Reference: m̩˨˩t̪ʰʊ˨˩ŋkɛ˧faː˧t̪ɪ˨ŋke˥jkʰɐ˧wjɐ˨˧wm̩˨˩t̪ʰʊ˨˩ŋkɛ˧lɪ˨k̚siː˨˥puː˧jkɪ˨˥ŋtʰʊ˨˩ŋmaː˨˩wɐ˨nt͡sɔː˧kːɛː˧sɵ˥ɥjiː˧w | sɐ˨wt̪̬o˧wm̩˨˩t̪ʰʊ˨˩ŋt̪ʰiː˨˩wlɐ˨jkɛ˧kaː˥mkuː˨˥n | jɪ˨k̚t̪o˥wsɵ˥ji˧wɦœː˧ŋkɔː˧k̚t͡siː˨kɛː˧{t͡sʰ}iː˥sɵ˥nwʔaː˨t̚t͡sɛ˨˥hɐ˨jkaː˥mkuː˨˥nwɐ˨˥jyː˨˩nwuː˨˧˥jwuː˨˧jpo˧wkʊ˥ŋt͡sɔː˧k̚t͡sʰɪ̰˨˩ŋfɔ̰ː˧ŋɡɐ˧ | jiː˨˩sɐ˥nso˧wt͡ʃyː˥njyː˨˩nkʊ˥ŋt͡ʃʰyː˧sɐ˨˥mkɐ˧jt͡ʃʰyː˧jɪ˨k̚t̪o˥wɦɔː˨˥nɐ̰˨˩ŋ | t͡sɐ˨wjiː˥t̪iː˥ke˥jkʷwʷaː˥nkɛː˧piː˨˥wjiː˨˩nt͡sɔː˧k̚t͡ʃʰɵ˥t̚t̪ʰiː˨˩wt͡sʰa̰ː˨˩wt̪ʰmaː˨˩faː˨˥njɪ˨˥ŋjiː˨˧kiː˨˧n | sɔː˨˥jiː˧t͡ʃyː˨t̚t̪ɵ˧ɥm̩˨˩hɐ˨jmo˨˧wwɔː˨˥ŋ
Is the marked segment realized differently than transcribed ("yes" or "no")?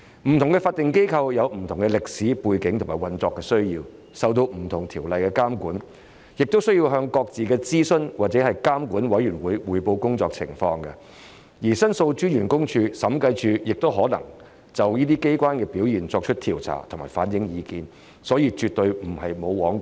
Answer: yes